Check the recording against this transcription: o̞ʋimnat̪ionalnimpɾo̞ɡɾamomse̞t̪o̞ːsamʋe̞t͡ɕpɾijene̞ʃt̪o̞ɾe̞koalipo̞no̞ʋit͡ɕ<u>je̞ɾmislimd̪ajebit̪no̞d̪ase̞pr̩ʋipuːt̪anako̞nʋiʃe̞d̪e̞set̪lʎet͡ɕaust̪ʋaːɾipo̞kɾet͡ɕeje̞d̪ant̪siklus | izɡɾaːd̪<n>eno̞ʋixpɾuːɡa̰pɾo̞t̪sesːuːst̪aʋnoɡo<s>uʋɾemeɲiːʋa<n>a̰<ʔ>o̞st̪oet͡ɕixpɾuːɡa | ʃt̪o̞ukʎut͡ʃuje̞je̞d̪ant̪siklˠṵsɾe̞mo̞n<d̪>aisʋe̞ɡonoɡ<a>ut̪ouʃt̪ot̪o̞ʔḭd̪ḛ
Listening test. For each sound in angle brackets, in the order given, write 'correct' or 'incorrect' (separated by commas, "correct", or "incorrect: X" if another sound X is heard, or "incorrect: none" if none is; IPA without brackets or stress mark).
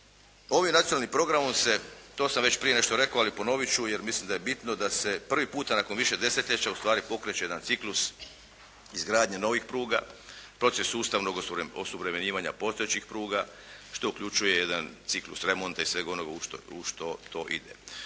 correct, incorrect: ɲ, correct, incorrect: ɲ, incorrect: p, incorrect: t̪, correct